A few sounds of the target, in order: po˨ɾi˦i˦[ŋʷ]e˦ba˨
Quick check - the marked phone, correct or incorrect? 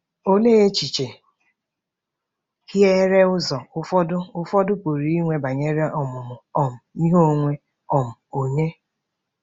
correct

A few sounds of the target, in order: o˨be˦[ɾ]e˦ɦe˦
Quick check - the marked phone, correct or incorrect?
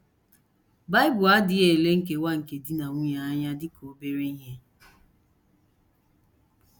correct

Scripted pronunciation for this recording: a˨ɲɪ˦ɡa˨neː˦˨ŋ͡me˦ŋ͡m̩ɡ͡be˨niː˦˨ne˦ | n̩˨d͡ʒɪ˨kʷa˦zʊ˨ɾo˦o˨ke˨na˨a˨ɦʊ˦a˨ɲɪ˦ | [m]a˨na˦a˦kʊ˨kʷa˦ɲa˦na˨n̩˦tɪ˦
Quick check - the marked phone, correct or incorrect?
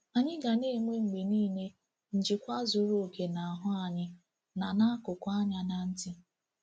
incorrect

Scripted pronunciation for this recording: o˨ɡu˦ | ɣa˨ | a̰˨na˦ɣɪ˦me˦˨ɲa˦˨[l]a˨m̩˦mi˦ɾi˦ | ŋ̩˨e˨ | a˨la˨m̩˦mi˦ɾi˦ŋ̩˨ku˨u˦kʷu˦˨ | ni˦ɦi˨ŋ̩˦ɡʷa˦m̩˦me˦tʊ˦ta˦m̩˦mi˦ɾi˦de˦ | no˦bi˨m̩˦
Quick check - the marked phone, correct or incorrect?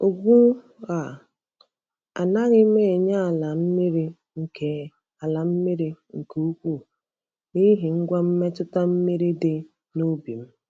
correct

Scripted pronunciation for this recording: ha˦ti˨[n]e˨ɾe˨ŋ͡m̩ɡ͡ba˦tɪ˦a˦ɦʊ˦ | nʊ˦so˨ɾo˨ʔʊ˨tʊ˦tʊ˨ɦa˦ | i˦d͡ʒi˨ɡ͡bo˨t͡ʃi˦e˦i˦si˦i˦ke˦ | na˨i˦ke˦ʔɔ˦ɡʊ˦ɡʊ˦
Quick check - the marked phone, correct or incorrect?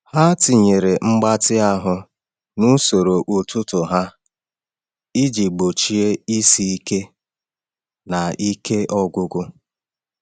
incorrect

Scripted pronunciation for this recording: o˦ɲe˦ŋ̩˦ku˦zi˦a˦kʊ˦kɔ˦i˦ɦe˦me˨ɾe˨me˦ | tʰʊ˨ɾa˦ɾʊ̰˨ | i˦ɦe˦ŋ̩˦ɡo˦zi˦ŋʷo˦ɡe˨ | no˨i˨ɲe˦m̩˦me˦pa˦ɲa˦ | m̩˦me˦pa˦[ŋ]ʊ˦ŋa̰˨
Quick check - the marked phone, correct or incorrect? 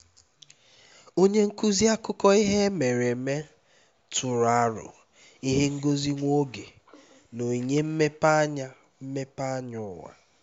incorrect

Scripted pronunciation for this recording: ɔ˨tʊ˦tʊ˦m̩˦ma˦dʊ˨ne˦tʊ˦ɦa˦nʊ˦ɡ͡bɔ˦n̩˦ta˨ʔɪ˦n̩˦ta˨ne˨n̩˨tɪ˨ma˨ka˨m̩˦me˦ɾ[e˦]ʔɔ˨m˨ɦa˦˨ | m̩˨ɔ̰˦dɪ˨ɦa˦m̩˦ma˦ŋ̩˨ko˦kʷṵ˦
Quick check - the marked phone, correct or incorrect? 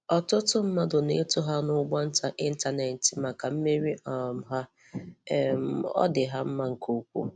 incorrect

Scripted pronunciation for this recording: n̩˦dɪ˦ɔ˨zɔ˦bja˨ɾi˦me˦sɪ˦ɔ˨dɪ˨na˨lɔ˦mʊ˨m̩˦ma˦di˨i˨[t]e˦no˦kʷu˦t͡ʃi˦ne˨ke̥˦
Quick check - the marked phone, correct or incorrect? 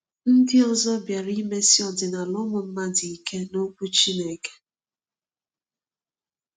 incorrect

